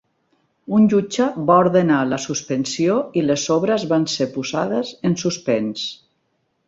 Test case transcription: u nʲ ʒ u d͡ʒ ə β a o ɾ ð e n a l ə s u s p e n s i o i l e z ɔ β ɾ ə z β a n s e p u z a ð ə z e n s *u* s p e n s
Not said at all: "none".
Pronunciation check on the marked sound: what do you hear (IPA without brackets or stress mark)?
u